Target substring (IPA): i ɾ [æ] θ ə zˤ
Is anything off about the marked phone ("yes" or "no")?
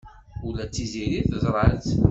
yes